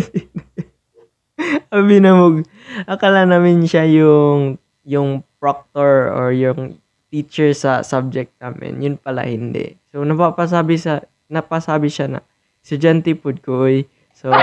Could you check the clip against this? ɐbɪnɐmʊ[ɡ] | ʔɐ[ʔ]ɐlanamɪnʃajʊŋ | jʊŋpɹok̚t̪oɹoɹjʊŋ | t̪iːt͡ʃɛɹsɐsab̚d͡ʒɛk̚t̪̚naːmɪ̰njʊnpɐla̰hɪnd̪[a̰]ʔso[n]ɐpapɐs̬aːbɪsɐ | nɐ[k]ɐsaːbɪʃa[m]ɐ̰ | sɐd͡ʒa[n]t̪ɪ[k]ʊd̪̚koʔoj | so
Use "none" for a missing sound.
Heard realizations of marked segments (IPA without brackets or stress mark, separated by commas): ɡ, k, ɛ̰, n, p, n, n, p